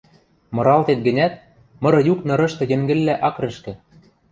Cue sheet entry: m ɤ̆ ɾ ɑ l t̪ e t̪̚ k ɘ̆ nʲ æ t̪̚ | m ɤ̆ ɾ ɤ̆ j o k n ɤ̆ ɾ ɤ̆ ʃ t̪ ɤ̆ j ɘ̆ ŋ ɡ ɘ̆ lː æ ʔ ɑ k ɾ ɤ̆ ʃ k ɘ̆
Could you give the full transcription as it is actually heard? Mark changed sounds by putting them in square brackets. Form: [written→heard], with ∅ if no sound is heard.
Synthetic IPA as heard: m ɤ̆ ɾ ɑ l t̪ e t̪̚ [k→ɡ] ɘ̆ nʲ æ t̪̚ | m ɤ̆ ɾ ɤ̆ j [o→u] k n ɤ̆ ɾ ɤ̆ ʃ t̪ ɤ̆ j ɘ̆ ŋ ɡ ɘ̆ lː æ ʔ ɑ k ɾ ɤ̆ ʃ k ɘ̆